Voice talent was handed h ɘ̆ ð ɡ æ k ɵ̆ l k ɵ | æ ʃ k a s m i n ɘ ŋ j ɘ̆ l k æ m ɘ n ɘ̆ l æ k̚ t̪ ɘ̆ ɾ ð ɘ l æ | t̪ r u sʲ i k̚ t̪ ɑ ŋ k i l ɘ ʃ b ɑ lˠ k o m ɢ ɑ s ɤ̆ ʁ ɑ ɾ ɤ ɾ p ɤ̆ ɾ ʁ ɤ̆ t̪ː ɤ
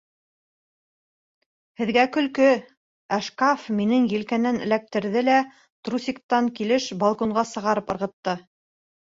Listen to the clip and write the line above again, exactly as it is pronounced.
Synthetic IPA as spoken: h ɘ̆ ð ɡ æ k ɵ̆ l k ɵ | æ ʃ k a f m i n ɘ ŋ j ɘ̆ l k æ n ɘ n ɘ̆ l æ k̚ t̪ ɘ̆ ɾ ð ɘ l æ | t̪ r u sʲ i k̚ t̪ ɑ ŋ k i l ɘ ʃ b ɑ lˠ k o ɴ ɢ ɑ s ɤ̆ ʁ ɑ ɾ ɤ p ɤ̆ ɾ ʁ ɤ̆ t̪ː ɤ